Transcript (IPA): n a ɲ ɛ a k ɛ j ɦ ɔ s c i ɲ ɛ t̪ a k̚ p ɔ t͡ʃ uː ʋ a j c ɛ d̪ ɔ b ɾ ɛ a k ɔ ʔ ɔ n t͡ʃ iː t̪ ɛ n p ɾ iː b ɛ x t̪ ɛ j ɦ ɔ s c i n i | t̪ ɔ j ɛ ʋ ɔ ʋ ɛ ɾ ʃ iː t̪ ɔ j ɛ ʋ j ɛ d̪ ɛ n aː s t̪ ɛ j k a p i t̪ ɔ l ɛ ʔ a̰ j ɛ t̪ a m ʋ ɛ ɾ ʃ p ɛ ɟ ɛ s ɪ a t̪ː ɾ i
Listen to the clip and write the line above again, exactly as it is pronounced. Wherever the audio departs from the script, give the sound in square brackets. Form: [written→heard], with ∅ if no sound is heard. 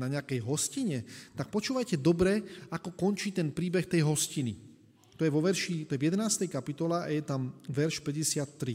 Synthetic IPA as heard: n a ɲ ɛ a k ɛ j ɦ ɔ s c i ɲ ɛ t̪ a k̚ p ɔ t͡ʃ uː ʋ a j c ɛ d̪ ɔ b ɾ ɛ a k ɔ [ʔ→k] ɔ n t͡ʃ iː t̪ ɛ n p ɾ iː b ɛ x t̪ ɛ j ɦ ɔ s c i n i | t̪ ɔ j ɛ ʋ ɔ ʋ ɛ ɾ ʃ [iː→i] t̪ ɔ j ɛ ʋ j ɛ d̪ ɛ n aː s t̪ ɛ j k a p i t̪ ɔ l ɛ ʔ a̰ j ɛ t̪ a m ʋ ɛ ɾ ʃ p ɛ ɟ ɛ s ɪ a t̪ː ɾ i